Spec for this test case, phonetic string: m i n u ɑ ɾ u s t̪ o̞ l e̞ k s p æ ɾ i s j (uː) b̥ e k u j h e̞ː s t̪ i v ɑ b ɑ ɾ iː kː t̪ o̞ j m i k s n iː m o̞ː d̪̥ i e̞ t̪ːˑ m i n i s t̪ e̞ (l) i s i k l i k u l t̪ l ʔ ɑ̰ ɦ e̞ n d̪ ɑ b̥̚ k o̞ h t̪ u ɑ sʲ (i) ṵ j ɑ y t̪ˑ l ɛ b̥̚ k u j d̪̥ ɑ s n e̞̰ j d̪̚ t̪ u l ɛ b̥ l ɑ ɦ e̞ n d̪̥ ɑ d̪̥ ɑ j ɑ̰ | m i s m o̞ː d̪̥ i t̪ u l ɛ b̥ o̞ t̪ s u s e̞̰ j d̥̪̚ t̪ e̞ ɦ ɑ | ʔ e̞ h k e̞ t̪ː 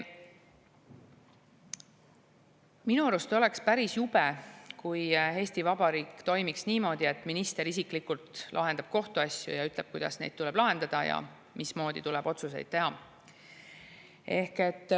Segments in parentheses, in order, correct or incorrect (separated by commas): incorrect, incorrect, incorrect